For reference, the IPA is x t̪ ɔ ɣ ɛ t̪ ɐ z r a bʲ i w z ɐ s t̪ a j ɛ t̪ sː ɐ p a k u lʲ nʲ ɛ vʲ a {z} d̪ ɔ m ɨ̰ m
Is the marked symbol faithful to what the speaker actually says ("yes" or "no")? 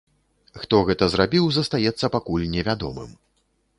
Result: no